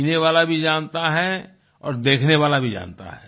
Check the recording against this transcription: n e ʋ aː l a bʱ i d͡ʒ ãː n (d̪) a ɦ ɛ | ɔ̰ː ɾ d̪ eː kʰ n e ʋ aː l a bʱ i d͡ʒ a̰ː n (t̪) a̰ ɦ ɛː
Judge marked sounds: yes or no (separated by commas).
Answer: no, yes